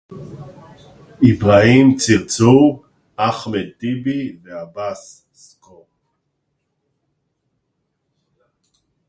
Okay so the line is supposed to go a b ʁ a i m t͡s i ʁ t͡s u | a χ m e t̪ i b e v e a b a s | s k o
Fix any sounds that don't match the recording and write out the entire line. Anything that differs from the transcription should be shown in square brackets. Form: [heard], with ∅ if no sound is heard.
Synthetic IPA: [i] b ʁ a i m t͡s i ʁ t͡s u | a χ m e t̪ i b [i] v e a b a s | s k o